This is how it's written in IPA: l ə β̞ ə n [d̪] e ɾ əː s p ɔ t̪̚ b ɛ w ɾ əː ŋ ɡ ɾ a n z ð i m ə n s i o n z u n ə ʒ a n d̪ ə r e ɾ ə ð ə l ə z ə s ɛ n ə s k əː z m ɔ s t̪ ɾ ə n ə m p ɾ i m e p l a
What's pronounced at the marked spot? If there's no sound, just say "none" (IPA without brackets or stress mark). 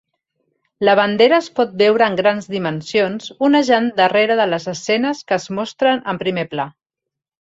d̪